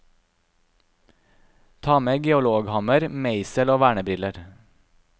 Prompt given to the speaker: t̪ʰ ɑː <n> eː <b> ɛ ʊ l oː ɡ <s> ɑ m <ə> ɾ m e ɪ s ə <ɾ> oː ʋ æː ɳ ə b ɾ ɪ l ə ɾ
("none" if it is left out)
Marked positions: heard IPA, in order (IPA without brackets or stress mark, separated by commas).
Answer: m, ɡ, h, ə, l